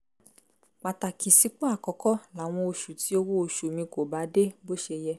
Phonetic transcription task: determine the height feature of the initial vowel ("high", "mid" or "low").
low